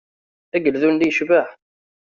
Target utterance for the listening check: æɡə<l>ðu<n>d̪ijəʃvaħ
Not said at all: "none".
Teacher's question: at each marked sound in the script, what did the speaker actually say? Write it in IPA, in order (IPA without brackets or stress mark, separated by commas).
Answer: l, n